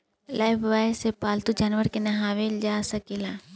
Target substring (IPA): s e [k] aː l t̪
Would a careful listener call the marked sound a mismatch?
yes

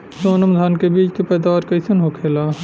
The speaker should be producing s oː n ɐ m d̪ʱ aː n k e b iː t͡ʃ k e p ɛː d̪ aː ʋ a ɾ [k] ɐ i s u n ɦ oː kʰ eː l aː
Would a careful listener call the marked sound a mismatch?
no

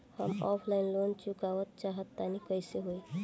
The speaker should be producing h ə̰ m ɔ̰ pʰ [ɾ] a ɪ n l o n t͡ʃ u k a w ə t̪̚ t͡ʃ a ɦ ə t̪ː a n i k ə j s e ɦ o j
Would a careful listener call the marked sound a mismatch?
yes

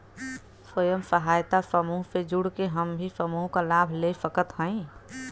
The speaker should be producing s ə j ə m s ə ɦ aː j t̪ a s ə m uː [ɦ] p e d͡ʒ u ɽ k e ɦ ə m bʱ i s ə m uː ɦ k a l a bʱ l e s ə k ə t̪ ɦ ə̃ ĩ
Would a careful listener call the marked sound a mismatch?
no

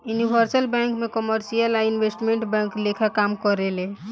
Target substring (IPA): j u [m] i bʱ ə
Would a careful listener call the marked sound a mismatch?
yes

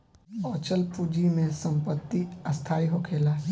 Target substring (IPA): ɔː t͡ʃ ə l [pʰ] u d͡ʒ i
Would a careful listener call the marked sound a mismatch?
yes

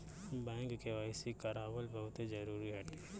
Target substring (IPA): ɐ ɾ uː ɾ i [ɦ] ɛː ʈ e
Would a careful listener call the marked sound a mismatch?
no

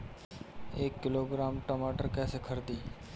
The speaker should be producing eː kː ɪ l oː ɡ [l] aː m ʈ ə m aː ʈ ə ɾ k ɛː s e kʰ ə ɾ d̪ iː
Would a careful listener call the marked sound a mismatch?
yes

